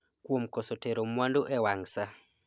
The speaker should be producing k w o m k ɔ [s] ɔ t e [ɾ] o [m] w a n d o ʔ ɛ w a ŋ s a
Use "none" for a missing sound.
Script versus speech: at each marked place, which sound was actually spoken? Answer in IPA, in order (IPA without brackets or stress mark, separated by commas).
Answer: s, ɾ, m